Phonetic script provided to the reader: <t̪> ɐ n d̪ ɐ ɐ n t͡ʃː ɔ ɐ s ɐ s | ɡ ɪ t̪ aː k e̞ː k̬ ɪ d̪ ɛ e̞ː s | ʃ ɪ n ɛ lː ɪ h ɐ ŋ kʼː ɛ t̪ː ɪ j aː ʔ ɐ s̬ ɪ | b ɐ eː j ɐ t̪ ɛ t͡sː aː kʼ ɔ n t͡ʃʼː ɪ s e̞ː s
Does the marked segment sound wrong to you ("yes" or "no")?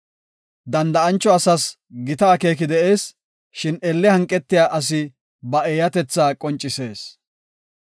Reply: yes